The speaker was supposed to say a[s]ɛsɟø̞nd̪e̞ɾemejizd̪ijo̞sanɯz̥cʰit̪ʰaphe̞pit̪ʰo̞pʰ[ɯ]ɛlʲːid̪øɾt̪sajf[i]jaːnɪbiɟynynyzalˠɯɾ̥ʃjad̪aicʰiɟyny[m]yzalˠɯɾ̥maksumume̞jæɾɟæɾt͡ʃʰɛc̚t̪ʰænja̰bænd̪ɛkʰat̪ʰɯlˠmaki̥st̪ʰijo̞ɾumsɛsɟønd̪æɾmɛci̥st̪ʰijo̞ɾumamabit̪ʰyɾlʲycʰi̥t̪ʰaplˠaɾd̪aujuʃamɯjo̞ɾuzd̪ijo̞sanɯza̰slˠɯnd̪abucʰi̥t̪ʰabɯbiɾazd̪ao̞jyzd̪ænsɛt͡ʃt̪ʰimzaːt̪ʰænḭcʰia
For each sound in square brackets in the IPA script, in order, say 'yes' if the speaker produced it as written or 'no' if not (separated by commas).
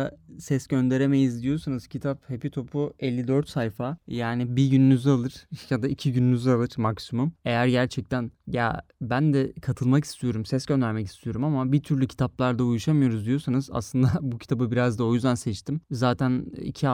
yes, no, no, no